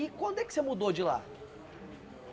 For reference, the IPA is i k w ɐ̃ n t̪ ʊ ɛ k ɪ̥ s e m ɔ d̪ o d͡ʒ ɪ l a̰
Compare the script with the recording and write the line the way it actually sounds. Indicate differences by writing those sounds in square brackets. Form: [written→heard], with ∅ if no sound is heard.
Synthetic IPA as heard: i k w ɐ̃ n [t̪→d̪] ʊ ɛ k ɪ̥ s e m [ɔ→u] d̪ o d͡ʒ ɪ l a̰